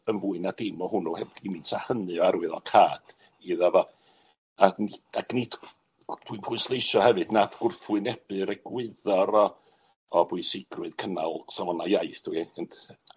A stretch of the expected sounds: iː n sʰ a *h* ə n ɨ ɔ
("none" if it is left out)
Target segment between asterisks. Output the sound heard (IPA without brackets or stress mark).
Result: h